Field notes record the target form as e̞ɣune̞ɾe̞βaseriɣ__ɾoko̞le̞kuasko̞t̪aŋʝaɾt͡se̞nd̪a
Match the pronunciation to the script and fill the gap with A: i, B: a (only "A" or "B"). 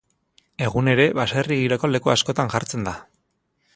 A